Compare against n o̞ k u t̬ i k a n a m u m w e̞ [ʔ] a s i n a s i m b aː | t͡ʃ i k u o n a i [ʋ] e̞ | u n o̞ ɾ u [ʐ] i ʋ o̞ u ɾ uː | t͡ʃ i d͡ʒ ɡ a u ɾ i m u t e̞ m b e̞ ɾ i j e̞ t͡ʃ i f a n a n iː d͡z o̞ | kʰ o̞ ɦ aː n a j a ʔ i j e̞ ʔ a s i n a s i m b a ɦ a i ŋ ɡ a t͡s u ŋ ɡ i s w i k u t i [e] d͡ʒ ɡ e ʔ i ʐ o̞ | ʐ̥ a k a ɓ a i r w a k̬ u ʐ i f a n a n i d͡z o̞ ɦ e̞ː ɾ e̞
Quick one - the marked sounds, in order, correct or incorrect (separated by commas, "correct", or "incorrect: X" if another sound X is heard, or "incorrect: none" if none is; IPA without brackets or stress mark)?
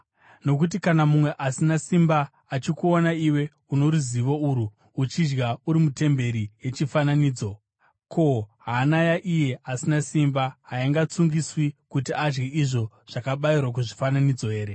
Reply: correct, incorrect: w, incorrect: z, incorrect: a